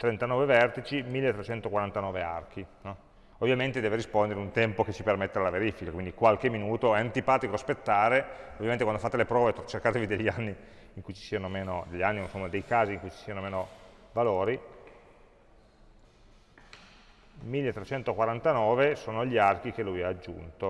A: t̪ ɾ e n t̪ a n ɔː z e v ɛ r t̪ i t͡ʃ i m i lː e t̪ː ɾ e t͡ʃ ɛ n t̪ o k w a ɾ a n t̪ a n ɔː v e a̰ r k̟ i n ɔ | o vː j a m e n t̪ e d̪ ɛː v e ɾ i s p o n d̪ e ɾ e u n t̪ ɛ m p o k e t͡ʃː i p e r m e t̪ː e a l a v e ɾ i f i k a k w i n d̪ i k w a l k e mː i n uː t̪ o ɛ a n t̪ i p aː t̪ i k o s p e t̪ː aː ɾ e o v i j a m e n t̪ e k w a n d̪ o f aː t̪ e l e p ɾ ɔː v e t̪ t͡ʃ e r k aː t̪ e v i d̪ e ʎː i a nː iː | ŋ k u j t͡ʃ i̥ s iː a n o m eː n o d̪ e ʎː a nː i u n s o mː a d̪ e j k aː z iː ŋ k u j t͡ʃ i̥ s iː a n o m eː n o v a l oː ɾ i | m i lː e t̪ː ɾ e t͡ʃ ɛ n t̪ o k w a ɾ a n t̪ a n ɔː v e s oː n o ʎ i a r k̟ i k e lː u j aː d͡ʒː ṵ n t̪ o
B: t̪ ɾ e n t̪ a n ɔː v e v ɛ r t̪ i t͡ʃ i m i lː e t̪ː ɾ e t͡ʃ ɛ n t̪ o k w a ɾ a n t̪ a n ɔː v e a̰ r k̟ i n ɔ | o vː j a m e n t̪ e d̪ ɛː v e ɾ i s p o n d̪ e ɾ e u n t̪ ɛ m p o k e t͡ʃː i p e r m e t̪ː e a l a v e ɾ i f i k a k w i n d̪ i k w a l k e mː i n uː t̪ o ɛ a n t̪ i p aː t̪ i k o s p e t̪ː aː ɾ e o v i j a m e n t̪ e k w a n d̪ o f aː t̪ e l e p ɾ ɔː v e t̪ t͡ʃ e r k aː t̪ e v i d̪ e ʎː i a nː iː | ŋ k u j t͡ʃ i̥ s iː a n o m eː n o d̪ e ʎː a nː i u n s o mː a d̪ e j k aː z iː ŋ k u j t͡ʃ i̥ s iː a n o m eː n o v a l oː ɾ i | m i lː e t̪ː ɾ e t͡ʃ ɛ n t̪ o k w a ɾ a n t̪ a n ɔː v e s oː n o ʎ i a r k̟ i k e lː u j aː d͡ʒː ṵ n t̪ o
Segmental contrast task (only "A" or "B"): B